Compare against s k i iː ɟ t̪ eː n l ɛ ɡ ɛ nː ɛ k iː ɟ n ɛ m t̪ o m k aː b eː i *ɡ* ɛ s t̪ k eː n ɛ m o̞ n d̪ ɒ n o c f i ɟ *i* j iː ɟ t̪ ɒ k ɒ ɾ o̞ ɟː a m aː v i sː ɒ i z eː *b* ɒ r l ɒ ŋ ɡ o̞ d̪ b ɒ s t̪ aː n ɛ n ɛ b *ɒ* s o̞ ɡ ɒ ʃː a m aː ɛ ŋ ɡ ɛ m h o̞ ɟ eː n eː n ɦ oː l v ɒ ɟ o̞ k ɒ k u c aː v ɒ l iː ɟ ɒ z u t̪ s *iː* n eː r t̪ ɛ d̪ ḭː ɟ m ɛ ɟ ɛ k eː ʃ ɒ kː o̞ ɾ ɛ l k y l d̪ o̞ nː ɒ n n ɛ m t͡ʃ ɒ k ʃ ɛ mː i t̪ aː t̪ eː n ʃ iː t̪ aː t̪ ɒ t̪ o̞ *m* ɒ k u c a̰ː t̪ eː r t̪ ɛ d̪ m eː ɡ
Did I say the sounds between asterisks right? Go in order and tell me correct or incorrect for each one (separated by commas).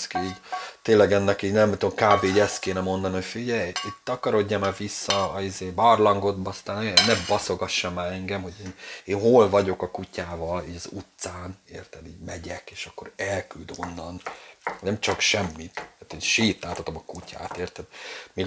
incorrect, incorrect, correct, correct, incorrect, correct